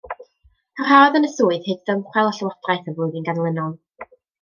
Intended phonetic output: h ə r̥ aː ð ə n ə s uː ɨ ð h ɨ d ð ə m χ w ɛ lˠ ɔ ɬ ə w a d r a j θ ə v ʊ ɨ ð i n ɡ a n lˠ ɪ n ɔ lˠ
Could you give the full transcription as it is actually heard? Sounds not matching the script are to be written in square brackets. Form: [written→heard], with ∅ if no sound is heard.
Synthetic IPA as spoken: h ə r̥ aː ð ə n ə s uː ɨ ð h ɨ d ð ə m χ w ɛ lˠ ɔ ɬ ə w a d r a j θ ə v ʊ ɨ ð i n ɡ a n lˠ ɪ n ɔ lˠ